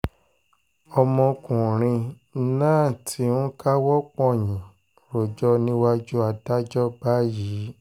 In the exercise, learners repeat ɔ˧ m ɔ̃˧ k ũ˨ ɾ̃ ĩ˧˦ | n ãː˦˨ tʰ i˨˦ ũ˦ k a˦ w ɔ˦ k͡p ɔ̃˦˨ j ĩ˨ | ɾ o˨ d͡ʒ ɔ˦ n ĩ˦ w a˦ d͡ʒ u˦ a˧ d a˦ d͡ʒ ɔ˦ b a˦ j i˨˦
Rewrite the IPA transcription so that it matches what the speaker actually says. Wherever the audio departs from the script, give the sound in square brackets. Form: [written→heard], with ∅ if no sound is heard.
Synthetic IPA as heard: ɔ˧ m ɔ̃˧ k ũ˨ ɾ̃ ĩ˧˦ | n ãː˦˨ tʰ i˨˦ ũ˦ k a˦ w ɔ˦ k͡p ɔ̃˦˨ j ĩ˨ | ɾ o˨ d͡ʒ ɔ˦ n ĩ˦ w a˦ d͡ʒ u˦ a˧ d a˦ d͡ʒ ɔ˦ b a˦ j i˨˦